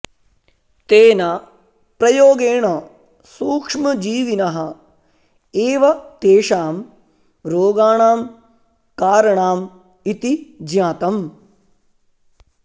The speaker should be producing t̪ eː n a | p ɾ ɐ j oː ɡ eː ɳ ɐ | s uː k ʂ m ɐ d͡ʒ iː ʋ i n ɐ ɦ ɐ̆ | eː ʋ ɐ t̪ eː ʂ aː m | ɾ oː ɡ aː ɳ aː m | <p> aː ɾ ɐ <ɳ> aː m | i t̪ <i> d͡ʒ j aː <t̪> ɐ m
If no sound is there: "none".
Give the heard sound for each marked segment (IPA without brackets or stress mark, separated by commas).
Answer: k, ɳ, i, t̪